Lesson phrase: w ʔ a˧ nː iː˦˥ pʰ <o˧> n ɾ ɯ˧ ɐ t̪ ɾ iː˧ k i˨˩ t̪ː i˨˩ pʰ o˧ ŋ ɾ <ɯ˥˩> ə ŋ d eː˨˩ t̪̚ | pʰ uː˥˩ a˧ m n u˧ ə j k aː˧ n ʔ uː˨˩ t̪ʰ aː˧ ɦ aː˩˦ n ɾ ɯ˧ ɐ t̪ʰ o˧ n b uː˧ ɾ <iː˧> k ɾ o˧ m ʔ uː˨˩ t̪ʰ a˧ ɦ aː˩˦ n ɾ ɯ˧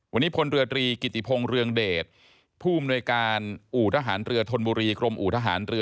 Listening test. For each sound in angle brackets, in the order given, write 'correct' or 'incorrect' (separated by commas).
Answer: correct, incorrect, correct